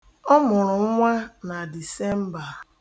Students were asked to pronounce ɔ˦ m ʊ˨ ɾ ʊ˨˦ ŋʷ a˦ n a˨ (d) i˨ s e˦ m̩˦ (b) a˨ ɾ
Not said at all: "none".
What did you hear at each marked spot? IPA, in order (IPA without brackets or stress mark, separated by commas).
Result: d, b